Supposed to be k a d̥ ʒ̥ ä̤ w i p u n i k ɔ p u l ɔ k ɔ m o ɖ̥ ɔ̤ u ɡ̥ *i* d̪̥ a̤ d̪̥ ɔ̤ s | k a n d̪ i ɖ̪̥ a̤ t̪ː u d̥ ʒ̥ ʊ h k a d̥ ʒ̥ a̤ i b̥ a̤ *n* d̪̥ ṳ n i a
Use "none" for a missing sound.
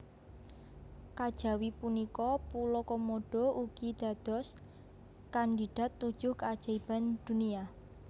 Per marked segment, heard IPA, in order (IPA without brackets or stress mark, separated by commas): i, n